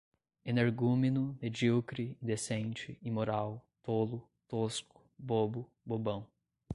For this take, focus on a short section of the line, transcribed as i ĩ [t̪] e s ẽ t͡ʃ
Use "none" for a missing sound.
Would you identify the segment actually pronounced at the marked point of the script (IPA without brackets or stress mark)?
d̪